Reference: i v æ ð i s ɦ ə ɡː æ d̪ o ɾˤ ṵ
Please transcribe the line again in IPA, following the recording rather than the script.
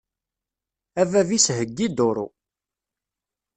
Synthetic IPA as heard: æ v æ v i s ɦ ə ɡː i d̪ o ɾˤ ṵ